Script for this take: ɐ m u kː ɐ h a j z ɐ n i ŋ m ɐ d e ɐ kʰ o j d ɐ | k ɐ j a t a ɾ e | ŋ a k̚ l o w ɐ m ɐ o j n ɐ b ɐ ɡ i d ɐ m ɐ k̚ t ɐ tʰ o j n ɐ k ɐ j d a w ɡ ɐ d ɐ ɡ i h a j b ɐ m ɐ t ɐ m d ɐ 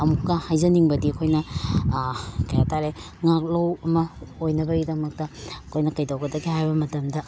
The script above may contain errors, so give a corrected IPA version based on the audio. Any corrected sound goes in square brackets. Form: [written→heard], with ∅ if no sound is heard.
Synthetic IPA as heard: ɐ m u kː ɐ h a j z ɐ n i ŋ [m→b] ɐ d [e→i] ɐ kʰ o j [d→n] ɐ | k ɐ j a t a ɾ e | ŋ a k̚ l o w ɐ m ɐ o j n ɐ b ɐ ɡ i d ɐ m ɐ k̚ t ɐ [tʰ→kʰ] o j n ɐ k ɐ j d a w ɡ ɐ d ɐ ɡ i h a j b ɐ m ɐ t ɐ m d ɐ